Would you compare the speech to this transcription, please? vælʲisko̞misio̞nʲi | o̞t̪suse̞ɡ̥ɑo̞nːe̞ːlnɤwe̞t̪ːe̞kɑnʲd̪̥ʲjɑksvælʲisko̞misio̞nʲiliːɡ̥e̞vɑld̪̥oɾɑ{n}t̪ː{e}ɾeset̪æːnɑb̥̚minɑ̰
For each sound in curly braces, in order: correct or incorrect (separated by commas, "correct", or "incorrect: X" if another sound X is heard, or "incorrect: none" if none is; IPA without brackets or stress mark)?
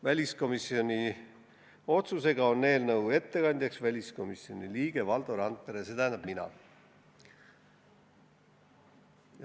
correct, correct